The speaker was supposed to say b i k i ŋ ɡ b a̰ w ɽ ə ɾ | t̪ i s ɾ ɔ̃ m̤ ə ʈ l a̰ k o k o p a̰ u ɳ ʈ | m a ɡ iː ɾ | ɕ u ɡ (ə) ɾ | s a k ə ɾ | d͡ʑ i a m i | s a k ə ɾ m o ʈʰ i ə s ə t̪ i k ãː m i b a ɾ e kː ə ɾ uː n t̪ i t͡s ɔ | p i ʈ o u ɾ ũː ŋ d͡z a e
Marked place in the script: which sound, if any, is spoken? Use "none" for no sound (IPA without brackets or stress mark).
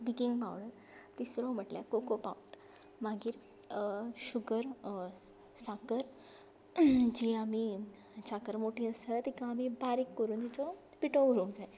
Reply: ə